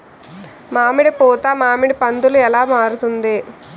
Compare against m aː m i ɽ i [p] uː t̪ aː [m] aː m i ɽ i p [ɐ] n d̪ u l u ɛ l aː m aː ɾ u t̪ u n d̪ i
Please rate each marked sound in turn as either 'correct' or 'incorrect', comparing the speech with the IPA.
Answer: correct, correct, correct

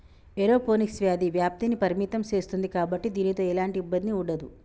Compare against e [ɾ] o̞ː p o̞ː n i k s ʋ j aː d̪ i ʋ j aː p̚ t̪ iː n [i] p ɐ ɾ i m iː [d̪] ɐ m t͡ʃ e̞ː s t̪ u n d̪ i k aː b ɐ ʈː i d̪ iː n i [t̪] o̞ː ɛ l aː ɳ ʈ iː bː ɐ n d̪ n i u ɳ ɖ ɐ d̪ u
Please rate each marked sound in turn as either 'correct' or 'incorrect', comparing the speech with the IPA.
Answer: correct, correct, incorrect, correct

